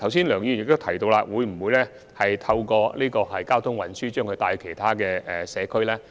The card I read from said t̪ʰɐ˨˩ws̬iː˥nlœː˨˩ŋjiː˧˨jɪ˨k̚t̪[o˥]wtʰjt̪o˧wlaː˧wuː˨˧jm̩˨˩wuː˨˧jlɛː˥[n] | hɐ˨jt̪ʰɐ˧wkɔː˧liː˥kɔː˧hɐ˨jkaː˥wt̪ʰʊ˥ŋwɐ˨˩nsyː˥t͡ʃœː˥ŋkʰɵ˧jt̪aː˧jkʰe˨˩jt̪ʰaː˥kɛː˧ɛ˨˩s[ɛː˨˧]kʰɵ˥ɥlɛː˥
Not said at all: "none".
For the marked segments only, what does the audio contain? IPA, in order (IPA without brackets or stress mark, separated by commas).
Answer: o˥, none, ɛː˨˧